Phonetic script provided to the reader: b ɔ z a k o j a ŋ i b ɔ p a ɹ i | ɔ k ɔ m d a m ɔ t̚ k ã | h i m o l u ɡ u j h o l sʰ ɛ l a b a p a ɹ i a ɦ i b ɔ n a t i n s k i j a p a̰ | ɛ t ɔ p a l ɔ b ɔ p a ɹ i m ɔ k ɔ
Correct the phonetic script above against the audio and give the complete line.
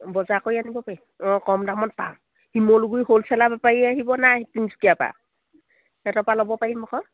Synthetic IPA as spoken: b ɔ z a k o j a n i b ɔ p a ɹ i | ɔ k ɔ m d a m ɔ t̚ p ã | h i m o l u ɡ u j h o l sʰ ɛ l a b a p a ɹ i a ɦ i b ɔ n a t i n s k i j a p a̰ | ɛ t ɔ p a l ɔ b ɔ p a ɹ i m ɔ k ɔ